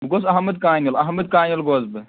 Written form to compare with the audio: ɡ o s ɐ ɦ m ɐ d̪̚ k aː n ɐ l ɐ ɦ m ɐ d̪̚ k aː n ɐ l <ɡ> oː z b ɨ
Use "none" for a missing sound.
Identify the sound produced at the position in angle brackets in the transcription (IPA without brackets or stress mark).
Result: ɡ